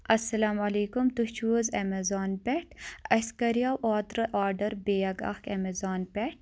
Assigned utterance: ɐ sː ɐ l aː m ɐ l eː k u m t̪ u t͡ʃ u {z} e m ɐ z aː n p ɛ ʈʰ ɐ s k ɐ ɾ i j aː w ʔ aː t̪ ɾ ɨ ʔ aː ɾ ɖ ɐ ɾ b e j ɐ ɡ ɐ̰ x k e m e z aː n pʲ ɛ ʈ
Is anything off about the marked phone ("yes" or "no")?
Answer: no